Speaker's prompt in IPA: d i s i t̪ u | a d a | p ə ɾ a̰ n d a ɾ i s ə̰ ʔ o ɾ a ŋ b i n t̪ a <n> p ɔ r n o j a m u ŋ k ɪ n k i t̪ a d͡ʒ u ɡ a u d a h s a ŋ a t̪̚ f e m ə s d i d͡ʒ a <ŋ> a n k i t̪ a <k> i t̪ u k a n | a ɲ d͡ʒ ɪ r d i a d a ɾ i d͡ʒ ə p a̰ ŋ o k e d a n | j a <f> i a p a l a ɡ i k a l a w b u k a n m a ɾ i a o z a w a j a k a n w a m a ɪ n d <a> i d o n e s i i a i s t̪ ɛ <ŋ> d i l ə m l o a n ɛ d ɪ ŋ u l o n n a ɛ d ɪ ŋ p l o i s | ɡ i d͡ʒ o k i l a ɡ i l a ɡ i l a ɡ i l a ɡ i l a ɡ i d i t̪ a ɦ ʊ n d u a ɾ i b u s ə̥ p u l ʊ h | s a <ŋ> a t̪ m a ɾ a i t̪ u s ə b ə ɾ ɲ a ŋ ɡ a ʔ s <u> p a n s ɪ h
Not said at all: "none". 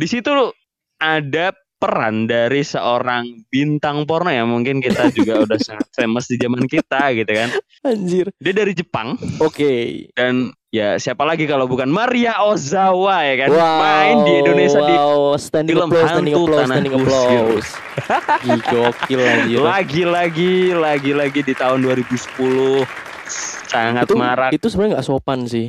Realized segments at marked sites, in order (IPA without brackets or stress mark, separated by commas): ŋ, m, ɡ, s, i, n, ŋ, o